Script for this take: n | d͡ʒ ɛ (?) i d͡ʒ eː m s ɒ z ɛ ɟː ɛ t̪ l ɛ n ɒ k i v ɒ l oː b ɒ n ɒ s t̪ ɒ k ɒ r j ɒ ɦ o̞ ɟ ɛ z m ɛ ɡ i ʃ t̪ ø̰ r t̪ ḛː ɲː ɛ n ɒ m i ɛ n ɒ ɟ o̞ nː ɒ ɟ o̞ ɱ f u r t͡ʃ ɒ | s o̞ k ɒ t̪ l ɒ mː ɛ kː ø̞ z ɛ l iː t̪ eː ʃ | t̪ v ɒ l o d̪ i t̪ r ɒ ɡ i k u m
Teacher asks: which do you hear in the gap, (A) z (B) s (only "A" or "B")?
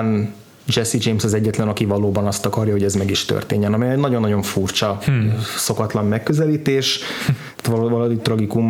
B